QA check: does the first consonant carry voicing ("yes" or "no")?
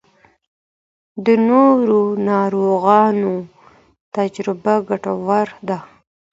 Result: yes